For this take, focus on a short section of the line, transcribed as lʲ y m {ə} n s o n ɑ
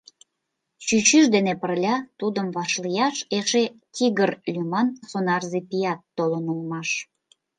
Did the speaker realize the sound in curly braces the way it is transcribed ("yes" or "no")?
no